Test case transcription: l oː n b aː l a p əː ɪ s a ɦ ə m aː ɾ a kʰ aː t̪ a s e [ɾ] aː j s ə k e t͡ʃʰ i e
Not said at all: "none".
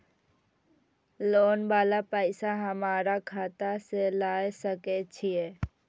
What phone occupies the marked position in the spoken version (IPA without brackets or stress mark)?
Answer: l